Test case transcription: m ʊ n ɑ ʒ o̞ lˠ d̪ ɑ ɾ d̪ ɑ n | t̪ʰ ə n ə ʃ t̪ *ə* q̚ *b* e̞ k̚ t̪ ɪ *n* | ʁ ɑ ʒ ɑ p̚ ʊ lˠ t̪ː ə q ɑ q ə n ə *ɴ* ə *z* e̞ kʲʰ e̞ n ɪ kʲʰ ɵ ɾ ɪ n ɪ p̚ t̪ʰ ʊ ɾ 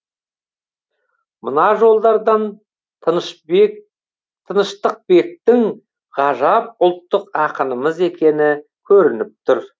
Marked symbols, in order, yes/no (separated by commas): yes, yes, no, no, yes